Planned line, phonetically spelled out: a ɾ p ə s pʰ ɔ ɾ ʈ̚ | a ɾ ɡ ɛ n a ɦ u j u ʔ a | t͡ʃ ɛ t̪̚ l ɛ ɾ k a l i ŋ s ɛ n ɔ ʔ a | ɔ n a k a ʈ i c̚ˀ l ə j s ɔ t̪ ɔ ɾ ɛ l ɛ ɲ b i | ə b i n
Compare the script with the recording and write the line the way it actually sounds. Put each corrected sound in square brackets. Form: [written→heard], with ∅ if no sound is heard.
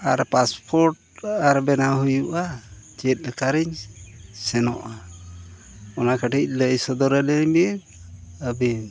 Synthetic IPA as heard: a ɾ p [ə→a] s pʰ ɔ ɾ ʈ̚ | a ɾ [ɡ→b] ɛ n a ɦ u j u ʔ a | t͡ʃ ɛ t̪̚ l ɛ [ɾ→∅] k a [l→ɾ] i [ŋ→ɲ] s ɛ n ɔ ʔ a | ɔ n a k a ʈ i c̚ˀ l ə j s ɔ [t̪→d̪] ɔ ɾ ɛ l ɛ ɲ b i | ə b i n